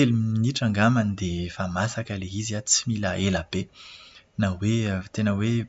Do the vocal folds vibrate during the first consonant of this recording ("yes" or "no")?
yes